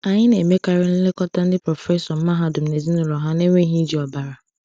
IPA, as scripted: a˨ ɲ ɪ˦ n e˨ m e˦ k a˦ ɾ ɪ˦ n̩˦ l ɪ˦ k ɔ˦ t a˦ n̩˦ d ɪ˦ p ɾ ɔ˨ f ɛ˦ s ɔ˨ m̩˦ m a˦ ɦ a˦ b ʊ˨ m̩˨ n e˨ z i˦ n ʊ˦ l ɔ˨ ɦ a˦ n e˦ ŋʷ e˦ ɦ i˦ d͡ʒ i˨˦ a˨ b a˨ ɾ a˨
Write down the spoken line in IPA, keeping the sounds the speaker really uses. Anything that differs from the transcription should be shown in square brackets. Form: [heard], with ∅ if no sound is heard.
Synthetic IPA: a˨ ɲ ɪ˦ n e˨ m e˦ k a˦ ɾ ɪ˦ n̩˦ l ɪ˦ k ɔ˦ t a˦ n̩˦ d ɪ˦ p ɾ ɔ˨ f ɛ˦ s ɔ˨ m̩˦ m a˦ ɦ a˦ [d] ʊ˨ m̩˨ n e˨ z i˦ n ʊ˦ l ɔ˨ ɦ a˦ n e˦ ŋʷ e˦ ɦ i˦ d͡ʒ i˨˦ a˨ b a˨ ɾ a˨

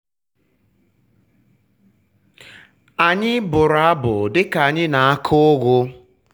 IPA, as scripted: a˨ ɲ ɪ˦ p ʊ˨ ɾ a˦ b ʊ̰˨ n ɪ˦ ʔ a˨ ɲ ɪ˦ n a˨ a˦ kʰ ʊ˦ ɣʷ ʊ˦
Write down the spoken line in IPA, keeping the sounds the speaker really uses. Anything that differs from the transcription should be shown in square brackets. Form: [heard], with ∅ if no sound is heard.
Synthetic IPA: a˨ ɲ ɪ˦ [b] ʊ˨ ɾ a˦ b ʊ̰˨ [d] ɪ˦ [k] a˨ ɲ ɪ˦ n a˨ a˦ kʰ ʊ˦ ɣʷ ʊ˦

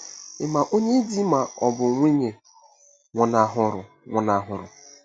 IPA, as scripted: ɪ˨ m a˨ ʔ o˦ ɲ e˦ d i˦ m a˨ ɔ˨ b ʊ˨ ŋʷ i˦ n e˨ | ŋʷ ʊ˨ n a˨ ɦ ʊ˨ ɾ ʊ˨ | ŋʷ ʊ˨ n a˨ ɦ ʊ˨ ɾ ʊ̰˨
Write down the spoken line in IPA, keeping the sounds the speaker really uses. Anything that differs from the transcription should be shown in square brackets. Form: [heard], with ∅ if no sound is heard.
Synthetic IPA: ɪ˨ m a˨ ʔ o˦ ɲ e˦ d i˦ m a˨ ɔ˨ b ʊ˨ ŋʷ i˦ [ɲ] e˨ | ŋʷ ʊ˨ n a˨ ɦ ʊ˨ ɾ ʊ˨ | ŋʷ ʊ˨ n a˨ ɦ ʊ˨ ɾ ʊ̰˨

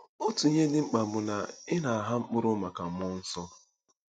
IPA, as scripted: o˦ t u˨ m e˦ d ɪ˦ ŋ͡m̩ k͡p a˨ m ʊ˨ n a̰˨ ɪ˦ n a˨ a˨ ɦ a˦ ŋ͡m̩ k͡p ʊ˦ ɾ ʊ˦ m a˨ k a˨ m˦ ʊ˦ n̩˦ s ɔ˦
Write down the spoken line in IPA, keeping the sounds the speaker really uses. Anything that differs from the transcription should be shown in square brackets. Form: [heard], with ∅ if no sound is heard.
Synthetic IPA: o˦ t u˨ [ɲ] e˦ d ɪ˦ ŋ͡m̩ k͡p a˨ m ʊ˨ n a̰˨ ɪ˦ n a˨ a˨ ɦ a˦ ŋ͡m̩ k͡p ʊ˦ ɾ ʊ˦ m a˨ k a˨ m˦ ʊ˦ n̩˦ s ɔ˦

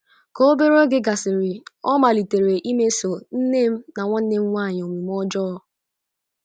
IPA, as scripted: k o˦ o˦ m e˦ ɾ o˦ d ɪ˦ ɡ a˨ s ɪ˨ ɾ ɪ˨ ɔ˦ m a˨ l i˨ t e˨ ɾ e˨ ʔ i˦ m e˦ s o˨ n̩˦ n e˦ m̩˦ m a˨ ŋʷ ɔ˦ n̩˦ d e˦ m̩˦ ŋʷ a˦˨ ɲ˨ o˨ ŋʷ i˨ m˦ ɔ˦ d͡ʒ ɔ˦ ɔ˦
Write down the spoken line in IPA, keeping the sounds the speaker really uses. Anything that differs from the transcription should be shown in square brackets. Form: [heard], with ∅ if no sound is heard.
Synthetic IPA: k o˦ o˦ [b] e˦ ɾ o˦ [ɡ] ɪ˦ ɡ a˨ s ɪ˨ ɾ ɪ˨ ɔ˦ m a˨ l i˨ t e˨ ɾ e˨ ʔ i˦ m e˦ s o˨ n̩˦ n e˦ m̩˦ [n] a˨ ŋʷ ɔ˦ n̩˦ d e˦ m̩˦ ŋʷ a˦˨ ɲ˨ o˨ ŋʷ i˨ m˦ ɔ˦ d͡ʒ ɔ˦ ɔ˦

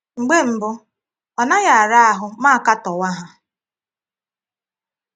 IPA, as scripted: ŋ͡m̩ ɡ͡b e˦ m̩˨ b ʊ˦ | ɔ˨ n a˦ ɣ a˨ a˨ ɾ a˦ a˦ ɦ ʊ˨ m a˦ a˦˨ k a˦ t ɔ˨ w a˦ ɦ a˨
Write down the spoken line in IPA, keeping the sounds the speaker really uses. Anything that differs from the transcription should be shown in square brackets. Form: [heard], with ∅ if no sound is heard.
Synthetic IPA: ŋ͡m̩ ɡ͡b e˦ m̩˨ b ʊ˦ | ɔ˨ n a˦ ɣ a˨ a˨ ɾ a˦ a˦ ɦ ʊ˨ m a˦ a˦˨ k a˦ t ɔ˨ w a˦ ɦ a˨

